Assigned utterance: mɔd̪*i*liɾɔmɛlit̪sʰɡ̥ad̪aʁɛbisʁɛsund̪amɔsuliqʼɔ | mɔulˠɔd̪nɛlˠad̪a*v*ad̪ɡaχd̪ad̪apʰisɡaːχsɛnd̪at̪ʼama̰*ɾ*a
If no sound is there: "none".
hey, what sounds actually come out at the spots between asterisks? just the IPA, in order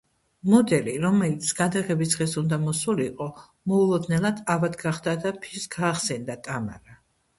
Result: ɛ, v, ɾ

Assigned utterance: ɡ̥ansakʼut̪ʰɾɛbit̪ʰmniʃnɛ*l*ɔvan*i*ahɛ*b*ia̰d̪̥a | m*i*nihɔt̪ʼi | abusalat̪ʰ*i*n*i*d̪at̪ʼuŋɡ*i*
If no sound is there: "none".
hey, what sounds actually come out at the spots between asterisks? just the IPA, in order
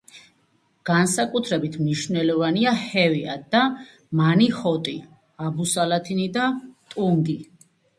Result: l, i, v, a, i, i, i

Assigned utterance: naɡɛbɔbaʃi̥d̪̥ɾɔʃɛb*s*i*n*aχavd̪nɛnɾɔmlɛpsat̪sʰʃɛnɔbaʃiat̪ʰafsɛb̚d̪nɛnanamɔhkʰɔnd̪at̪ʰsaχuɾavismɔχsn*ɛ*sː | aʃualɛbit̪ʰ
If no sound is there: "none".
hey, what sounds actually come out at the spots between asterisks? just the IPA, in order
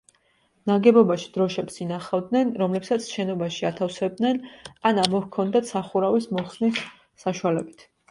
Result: s, n, i

